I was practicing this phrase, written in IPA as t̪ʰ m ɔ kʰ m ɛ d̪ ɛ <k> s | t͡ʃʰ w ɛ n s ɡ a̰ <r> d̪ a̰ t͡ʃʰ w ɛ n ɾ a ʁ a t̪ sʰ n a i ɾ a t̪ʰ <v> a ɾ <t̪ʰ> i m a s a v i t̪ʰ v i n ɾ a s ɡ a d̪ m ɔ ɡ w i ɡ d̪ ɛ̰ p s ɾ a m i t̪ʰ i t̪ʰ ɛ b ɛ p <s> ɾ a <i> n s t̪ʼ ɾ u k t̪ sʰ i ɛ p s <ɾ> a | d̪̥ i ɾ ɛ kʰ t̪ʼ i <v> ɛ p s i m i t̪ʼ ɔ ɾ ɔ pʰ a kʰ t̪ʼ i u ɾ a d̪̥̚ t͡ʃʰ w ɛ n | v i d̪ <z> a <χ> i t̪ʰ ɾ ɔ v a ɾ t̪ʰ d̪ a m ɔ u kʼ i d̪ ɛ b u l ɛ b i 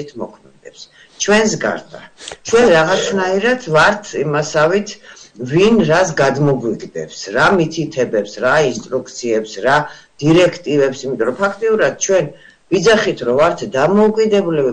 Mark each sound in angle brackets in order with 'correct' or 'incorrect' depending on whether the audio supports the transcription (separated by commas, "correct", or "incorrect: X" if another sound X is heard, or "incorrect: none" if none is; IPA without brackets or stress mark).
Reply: incorrect: p, incorrect: ɾ, correct, correct, correct, correct, correct, correct, correct, correct